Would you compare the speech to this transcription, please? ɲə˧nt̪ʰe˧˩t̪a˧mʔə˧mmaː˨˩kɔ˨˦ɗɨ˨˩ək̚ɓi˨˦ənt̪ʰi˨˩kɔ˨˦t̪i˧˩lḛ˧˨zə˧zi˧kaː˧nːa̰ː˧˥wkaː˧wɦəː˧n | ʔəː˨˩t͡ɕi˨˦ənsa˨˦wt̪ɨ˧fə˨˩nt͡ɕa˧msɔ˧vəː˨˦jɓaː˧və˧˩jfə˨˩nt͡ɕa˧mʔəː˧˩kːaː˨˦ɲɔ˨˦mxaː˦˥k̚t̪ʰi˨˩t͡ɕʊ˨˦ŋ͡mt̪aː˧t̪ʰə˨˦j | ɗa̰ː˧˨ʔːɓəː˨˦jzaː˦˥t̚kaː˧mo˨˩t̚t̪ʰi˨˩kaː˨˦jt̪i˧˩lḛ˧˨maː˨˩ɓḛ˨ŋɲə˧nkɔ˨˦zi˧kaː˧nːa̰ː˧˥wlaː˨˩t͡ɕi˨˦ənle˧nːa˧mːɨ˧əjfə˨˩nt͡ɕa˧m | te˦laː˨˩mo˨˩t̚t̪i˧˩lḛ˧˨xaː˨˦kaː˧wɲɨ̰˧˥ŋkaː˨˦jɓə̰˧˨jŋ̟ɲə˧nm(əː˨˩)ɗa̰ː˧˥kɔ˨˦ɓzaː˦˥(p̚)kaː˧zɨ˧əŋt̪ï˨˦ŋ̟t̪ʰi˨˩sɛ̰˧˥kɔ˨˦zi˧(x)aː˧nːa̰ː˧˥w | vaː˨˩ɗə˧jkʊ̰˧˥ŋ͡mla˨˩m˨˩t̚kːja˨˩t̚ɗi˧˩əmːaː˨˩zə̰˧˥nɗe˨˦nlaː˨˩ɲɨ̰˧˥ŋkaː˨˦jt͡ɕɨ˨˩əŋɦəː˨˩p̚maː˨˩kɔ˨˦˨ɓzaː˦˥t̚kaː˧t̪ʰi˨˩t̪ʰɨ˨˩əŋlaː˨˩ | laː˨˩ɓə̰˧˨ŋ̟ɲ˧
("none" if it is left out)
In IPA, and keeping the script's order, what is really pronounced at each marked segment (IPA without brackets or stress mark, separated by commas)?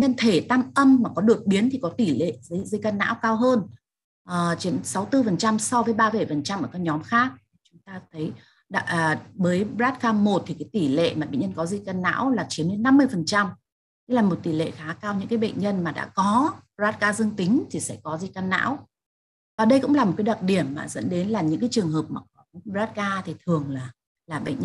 aː˨˩, t̚, k